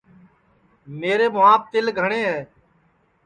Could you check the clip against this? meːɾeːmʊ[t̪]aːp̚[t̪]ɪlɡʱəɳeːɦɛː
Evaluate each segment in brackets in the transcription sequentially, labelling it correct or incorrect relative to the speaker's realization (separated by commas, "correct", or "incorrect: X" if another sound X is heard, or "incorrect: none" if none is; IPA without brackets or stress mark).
incorrect: none, correct